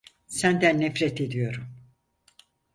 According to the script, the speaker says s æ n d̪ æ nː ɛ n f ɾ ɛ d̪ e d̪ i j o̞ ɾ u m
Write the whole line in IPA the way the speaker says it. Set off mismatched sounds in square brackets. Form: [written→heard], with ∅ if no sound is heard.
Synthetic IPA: s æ n d̪ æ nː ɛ [n→∅] f ɾ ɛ [d̪→t̪] e d̪ i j o̞ ɾ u m